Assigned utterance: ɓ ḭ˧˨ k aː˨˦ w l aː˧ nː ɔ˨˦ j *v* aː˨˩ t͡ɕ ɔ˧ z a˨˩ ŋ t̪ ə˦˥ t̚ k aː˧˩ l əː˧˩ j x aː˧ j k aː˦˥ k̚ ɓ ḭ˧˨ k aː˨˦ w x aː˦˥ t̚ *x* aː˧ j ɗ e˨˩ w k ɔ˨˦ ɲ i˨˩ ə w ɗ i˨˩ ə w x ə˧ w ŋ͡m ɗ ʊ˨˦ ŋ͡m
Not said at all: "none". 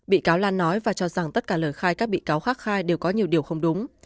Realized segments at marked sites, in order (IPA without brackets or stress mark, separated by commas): v, x